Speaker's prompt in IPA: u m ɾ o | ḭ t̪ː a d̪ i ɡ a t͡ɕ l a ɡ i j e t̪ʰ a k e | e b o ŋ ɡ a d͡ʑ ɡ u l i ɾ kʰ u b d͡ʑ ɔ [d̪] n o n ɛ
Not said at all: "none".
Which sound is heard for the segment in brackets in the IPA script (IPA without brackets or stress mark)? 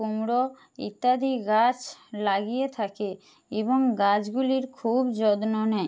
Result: d̪